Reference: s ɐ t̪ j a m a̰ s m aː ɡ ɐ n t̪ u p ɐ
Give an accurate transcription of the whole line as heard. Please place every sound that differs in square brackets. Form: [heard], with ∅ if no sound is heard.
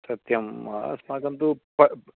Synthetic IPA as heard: s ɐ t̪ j [ɐ] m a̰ s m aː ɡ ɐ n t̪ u p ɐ